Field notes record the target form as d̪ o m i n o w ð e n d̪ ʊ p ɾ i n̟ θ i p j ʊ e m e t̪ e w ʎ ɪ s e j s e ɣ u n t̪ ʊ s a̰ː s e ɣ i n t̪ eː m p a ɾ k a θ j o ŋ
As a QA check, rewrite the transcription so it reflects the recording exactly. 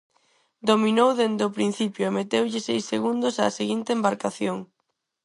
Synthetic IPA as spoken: d̪ o m i n o w ð e n d̪ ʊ p ɾ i n̟ θ i p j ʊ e m e t̪ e w ʎ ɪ s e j s e ɣ u n d̪ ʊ s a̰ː s e ɣ i n t̪ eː m b a ɾ k a θ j o ŋ